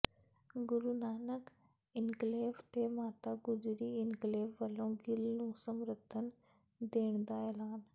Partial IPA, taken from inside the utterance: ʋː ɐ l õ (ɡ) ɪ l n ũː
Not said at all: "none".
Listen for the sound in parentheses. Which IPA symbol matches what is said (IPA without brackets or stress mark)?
ɡ